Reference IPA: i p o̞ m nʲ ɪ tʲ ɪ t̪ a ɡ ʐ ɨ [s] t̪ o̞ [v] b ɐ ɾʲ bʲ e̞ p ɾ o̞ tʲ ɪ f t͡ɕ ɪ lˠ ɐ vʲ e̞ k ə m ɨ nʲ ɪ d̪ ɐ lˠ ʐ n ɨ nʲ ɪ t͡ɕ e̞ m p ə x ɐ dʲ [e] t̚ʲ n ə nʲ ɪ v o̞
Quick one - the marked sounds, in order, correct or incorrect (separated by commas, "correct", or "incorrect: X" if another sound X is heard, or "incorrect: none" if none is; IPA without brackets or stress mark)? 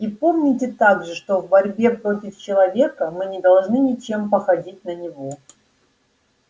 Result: incorrect: ʂ, correct, incorrect: i